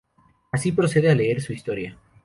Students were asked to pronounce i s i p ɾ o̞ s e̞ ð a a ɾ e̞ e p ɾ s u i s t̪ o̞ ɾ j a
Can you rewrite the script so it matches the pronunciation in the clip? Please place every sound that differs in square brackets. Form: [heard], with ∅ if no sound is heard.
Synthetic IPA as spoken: [a] s i p ɾ o̞ s e̞ ð [e] a [l] e̞ e [∅] ɾ s u i s t̪ o̞ ɾ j a